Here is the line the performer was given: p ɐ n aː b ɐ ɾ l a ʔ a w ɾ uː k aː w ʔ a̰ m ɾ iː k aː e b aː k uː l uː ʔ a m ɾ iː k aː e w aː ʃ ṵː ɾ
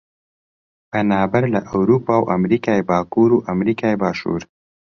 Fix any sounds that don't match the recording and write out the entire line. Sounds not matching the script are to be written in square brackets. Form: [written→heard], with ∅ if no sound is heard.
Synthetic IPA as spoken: p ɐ n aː b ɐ ɾ l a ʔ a w ɾ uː [k→p] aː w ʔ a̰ m ɾ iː k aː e b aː k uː [l→ɾ] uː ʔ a m ɾ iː k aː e [w→b] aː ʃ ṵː ɾ